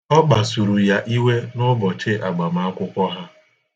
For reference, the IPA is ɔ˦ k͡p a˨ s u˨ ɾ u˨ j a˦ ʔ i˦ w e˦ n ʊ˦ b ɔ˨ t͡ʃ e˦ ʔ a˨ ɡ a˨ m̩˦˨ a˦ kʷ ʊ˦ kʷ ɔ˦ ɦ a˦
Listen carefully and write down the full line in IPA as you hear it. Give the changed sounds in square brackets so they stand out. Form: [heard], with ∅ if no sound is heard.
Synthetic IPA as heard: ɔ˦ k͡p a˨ s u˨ ɾ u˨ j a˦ ʔ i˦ w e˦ n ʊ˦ b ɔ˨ t͡ʃ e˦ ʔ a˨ [ɡ͡b] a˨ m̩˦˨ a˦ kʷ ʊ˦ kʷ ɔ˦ ɦ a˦